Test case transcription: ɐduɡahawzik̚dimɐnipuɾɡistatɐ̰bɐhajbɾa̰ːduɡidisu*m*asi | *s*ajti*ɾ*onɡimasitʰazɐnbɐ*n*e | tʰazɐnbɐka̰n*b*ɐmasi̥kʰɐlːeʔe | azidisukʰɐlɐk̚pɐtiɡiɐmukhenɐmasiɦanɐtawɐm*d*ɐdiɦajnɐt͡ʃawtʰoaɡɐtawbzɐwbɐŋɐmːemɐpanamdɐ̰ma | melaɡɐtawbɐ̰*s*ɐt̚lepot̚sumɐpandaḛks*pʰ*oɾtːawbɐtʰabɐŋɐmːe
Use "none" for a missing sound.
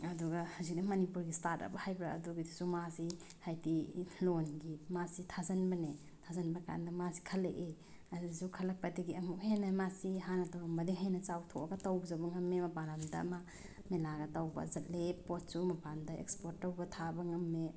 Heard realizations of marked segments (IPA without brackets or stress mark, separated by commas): m, h, l, n, d, b, z, p